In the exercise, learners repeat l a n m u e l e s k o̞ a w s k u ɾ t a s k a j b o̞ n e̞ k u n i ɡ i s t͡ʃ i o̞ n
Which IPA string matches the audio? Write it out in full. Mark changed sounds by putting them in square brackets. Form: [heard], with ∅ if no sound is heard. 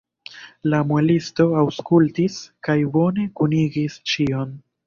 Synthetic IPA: l a [∅] m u e l [i] s [t] o̞ a w s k u [l] t [i] s k a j b o̞ n e̞ k u n i ɡ i s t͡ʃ i o̞ n